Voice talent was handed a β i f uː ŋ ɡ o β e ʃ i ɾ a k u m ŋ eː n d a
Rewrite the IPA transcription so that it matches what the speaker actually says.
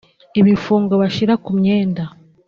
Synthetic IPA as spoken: i β i f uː ŋ ɡ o β a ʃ i ɾ a k u m ɲ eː n d a

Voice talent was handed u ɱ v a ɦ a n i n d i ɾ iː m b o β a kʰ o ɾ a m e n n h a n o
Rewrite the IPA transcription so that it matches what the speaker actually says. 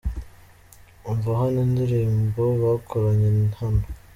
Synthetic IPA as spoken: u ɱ v a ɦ a n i n d i ɾ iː m b o β a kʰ o ɾ a ɲ e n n h a n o

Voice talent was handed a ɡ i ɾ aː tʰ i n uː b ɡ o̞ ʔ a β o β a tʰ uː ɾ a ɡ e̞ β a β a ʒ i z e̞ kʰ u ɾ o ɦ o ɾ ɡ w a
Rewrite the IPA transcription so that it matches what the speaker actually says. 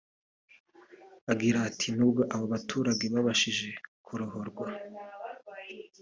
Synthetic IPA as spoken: a ɡ i ɾ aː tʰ i n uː b ɡ o̞ ʔ a β o β a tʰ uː ɾ a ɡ e̞ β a β a ʃ i ʒ e̞ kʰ u ɾ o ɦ o ɾ ɡ w a

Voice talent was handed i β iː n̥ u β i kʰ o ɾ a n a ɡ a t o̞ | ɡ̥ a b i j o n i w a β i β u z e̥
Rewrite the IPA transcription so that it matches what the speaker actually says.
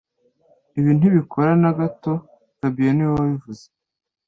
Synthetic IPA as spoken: i β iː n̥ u β i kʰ o ɾ a n a ɡ a t o̞ | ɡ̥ a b i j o n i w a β i v u z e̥

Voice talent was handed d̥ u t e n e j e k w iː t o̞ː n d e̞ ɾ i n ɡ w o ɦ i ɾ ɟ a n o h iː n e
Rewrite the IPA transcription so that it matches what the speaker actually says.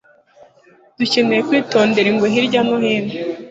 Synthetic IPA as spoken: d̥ u c e n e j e k w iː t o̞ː n d e̞ ɾ i ŋ ɡ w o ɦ i ɾ ɟ a n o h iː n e

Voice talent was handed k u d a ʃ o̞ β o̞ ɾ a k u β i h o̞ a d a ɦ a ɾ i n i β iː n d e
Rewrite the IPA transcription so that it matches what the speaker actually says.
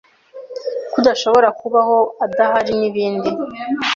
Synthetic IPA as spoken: k u d a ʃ o̞ β o̞ ɾ a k u β a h o̞ a d a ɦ a ɾ i n i β iː n d i

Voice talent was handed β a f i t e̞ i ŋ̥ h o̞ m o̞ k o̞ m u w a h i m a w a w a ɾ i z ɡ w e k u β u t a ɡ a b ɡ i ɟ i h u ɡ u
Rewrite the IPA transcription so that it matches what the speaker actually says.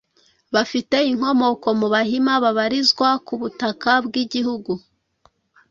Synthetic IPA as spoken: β a f i t e̞ i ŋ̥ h o̞ m o̞ k o̞ m u β a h i m a β a β a ɾ i z ɡ w a k u β u t a k a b ɡ i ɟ i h u ɡ u

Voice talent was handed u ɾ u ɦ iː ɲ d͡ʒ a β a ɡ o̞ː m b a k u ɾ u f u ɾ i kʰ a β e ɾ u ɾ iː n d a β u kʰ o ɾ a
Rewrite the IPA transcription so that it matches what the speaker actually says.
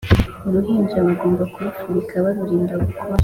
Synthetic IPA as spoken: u ɾ u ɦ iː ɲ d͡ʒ a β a ɡ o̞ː m b a k u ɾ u f u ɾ i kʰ a β a ɾ u ɾ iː n d a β u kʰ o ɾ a

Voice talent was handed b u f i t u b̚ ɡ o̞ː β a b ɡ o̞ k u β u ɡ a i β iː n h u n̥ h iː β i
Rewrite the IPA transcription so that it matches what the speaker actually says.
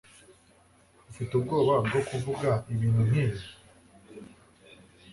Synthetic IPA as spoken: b u f i t u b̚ ɡ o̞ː β a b ɡ o̞ k u v u ɡ a i β iː n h u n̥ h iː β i

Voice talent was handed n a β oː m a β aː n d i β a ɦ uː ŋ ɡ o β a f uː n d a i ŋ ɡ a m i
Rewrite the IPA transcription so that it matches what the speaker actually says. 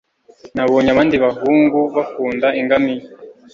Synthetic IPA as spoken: n a β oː ɲ a β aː n d i β a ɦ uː ŋ ɡ u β a f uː n d a i ŋ ɡ a m i

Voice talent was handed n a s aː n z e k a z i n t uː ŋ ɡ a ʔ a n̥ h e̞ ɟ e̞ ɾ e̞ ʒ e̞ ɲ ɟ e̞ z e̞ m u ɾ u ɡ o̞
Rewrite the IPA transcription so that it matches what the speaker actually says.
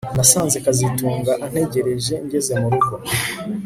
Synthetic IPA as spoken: n a s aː n z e k a z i t uː ŋ ɡ a ʔ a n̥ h e̞ ɟ e̞ ɾ e̞ ʒ e̞ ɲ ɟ e̞ z e̞ m u ɾ u ɡ o̞

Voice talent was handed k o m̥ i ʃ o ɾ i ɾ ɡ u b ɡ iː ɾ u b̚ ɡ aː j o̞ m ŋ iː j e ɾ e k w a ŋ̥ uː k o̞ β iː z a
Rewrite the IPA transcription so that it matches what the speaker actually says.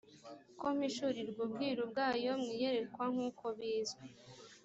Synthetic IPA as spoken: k o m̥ i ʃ u ɾ i ɾ ɡ u b ɡ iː ɾ u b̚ ɡ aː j o̞ m ŋ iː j e ɾ e k w a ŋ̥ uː k o̞ β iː z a

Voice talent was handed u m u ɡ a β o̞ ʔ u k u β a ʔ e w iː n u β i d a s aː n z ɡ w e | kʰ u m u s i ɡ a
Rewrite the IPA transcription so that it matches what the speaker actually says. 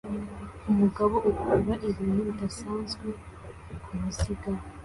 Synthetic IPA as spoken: u m u ɡ a β o̞ ʔ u k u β a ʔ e β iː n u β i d a s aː n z ɡ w e | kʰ u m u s i ɡ a

